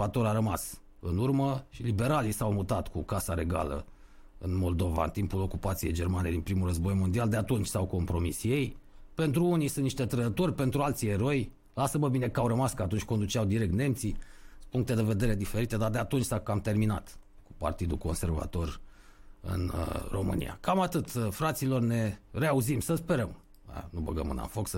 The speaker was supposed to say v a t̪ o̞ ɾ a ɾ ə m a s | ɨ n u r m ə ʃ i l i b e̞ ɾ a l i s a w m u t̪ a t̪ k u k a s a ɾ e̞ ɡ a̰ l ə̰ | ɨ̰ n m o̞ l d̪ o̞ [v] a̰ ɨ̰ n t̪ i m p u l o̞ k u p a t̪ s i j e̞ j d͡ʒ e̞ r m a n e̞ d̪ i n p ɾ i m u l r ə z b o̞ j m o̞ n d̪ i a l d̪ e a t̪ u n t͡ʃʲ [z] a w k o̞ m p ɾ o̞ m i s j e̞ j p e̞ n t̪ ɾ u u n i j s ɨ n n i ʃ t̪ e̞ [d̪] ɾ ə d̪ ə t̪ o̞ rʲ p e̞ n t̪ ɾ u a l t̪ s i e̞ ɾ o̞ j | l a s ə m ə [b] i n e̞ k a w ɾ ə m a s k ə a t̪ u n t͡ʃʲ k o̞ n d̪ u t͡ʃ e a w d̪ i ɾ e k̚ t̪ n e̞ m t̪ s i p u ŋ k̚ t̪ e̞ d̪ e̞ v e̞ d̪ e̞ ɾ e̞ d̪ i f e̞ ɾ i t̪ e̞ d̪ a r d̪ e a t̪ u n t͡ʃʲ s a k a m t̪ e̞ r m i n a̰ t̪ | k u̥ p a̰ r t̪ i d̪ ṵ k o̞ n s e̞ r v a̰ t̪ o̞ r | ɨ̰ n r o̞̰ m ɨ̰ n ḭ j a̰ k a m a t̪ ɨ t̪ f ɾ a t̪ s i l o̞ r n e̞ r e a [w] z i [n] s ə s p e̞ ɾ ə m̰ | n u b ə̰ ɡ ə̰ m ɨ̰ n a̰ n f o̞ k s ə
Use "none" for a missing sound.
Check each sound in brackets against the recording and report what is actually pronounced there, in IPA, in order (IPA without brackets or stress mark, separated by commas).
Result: v, s, t̪, b, u, m